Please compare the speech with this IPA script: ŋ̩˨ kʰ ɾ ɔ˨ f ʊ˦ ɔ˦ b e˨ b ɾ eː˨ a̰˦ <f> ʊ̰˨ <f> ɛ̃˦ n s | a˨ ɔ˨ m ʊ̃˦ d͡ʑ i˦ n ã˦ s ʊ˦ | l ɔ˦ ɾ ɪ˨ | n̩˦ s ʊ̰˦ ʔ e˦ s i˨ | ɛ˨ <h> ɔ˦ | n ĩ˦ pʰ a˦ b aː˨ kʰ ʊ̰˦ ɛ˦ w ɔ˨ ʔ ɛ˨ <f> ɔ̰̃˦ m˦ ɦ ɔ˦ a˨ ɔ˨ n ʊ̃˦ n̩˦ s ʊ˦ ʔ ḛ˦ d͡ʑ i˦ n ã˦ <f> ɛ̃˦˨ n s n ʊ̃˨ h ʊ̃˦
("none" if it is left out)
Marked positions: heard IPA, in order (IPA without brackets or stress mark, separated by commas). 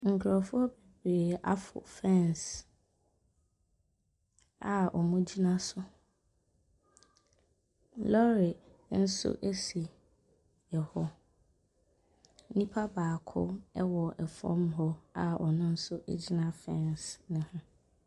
f, f, h, f, f